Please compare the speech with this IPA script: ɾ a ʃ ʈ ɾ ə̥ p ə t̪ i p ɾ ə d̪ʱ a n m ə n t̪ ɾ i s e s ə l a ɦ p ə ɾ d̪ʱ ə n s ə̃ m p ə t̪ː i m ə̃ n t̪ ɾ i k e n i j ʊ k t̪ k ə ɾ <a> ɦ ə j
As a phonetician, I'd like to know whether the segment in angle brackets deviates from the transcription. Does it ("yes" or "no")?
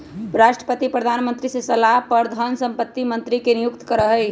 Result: yes